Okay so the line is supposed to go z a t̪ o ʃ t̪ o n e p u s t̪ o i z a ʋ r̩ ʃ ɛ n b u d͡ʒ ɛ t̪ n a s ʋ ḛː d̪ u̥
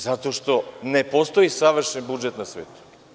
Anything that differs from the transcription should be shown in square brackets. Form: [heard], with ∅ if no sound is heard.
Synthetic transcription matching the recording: z a t̪ o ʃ t̪ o n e p [o] s t̪ o i [s] a ʋ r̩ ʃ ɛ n b u d͡ʒ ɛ t̪ n a s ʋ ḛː [t̪] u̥